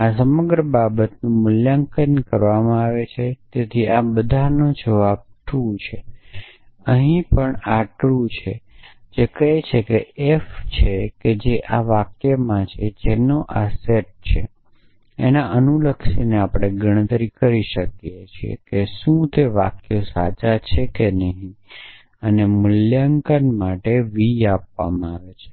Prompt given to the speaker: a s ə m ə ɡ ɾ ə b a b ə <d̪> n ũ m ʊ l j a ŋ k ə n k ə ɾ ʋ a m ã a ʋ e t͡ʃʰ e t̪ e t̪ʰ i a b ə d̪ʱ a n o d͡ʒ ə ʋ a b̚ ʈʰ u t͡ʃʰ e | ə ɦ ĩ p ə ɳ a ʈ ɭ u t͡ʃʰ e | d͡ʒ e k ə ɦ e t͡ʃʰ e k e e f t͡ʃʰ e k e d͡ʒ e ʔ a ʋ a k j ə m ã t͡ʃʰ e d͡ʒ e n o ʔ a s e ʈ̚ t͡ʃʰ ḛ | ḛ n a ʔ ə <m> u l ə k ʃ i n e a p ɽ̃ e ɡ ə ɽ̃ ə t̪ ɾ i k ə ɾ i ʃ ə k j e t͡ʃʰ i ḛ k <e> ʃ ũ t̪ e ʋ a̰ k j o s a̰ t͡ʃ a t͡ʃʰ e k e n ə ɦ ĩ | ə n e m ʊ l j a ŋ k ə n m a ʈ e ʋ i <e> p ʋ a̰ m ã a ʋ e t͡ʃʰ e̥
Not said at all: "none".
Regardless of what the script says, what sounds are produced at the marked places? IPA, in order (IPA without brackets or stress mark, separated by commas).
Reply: t̪, n, e, a